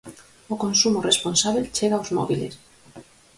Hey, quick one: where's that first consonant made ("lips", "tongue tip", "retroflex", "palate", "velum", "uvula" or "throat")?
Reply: velum